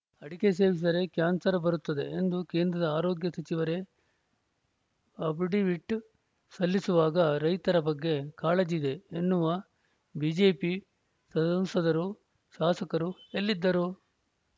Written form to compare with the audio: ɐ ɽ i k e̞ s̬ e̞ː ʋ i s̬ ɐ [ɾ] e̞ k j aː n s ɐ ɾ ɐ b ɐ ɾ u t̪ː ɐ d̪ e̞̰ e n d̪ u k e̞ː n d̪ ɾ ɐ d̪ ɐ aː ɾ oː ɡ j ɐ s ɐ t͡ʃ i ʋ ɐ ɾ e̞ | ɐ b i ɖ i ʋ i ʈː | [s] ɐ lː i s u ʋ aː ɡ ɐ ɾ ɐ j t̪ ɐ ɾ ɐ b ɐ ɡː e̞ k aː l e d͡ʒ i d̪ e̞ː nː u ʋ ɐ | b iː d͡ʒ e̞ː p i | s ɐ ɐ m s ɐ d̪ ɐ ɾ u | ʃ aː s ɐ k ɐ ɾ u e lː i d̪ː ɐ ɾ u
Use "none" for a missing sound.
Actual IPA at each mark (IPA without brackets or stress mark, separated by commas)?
ɾ, s